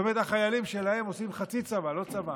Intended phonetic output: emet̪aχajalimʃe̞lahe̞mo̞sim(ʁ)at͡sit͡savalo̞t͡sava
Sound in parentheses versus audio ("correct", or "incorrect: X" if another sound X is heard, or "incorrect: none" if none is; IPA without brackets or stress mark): incorrect: χ